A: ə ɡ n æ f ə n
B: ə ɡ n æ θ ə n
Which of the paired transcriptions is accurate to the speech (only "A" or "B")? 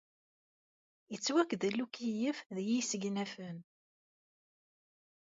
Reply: A